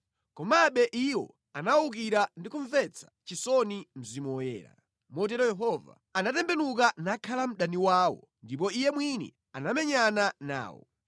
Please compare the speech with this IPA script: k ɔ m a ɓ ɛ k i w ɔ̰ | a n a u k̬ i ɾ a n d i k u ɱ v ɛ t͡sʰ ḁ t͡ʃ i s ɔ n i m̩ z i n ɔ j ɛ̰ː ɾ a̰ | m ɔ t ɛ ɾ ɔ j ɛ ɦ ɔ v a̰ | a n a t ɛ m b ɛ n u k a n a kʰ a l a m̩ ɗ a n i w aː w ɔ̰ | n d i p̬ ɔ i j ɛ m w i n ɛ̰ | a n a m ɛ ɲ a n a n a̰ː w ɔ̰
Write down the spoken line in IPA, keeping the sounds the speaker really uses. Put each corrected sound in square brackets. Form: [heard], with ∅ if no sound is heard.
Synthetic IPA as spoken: k ɔ m a ɓ ɛ [ʔ] i w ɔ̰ | a n a u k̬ i ɾ a n d i k u ɱ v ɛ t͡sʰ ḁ t͡ʃ i s ɔ n i m̩ z i [m] ɔ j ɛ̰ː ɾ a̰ | m ɔ t ɛ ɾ ɔ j ɛ ɦ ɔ v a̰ | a n a t ɛ m b ɛ n u k a n a kʰ a l a m̩ ɗ a n i w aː w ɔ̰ | n d i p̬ ɔ i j ɛ m w i n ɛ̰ | a n a m ɛ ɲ a n a n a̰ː w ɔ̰